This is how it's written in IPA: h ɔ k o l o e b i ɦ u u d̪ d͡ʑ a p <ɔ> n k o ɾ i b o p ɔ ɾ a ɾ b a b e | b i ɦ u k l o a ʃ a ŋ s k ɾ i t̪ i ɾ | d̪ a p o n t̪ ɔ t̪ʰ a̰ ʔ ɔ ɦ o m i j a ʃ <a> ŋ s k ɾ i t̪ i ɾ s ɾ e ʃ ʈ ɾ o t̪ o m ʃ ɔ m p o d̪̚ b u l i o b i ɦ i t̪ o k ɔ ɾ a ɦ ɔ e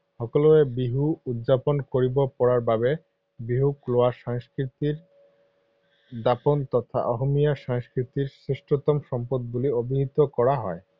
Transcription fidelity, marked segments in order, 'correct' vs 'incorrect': incorrect, correct

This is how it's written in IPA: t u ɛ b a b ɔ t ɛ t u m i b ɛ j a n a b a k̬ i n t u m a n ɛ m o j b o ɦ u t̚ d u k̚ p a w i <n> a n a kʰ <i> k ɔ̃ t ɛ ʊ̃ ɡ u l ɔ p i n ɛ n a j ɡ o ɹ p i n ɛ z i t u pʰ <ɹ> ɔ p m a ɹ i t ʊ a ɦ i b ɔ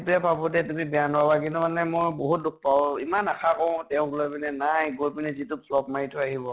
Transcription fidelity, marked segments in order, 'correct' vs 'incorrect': incorrect, incorrect, incorrect

